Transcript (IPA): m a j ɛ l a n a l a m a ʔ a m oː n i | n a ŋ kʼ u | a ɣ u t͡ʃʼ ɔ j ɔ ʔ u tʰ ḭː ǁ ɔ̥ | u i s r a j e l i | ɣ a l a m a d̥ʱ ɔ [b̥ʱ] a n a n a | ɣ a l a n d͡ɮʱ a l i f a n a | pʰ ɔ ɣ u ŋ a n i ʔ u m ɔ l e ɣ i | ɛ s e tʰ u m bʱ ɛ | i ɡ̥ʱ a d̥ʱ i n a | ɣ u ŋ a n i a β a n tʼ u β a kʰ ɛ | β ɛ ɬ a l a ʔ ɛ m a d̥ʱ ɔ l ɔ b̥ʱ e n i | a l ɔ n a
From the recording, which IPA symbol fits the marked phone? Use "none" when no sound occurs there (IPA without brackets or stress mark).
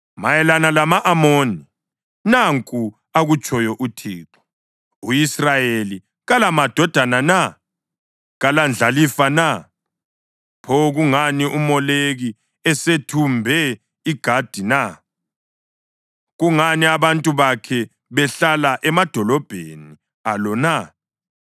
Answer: d̥ʱ